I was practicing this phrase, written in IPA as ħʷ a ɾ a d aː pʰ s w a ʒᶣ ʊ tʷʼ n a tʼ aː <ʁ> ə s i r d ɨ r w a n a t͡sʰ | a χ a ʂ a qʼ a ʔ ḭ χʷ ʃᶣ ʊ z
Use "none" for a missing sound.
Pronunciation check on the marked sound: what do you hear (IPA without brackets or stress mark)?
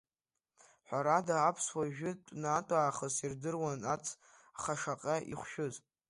χ